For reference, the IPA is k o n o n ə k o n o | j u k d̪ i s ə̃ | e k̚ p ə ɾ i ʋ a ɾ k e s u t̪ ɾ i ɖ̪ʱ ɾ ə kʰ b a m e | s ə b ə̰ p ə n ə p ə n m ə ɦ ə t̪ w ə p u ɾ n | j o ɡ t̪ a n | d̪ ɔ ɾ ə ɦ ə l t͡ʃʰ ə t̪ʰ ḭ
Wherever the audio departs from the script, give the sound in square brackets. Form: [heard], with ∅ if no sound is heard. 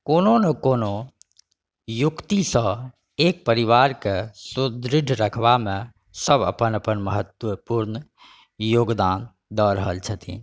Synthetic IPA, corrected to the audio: k o n o n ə k o n o | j u k [t̪] i s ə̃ | e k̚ p ə ɾ i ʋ a ɾ k e s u [d̪] ɾ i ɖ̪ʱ ɾ ə kʰ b a m e | s ə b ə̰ p ə n ə p ə n m ə ɦ ə t̪ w ə p u ɾ n | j o ɡ [d̪] a n | d̪ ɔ ɾ ə ɦ ə l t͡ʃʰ ə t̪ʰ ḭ